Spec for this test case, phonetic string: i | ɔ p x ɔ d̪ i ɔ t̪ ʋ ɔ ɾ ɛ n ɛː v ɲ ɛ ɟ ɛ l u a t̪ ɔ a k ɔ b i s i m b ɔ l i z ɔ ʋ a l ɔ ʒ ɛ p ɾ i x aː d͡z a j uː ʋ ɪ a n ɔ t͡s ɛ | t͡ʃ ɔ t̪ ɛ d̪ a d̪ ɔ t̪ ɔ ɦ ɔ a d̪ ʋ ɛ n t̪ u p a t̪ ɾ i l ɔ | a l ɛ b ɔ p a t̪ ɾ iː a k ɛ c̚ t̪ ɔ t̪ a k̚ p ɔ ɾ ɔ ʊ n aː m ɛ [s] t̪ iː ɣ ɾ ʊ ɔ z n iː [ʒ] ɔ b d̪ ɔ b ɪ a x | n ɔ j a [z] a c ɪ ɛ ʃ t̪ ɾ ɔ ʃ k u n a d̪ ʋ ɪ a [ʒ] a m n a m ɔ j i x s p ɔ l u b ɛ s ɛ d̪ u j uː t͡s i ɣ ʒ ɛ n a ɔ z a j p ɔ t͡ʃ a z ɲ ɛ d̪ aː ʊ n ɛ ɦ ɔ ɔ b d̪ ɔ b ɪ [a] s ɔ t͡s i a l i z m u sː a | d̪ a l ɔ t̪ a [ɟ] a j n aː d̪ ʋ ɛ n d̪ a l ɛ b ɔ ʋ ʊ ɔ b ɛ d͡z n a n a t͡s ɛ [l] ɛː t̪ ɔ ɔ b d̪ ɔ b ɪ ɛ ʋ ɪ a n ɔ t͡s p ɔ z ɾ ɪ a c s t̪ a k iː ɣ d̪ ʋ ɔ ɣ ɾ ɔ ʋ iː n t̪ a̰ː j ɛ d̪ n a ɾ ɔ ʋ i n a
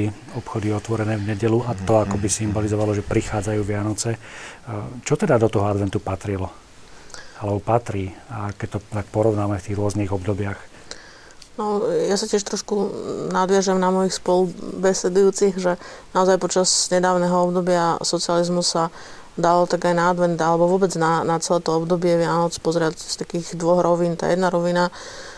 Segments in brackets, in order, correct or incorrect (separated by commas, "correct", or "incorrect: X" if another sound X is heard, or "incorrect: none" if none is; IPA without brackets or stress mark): incorrect: f, incorrect: ɣ, incorrect: s, correct, correct, incorrect: ɡ, correct